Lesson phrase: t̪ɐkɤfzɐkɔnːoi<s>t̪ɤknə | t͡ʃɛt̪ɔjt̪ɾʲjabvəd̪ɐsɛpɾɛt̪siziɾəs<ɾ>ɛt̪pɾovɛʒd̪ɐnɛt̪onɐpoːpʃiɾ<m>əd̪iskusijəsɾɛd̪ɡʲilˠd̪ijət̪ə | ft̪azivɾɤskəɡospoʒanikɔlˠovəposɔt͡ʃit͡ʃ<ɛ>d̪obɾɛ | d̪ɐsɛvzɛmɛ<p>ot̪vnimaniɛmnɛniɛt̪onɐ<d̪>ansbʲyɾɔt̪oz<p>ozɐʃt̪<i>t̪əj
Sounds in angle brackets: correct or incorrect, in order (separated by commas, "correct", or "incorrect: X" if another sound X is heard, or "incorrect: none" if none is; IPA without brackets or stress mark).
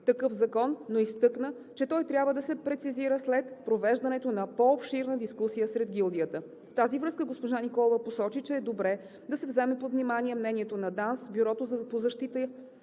correct, incorrect: l, incorrect: n, incorrect: ɛː, correct, correct, correct, correct